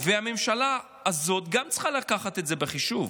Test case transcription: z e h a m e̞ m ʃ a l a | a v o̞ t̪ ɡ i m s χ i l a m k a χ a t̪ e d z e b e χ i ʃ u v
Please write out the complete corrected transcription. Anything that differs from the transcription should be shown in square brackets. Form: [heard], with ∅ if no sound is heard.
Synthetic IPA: [v] e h a m e̞ m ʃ a l a | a [z] o̞ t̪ ɡ [a] m [t͡s] χ [a] l a [∅] k a χ a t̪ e [t] z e b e χ i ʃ u v